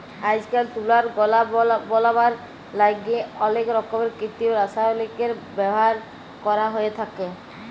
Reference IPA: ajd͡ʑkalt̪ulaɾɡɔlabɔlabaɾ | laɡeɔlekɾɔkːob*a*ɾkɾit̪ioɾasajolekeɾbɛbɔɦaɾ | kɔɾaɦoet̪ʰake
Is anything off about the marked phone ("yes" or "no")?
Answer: yes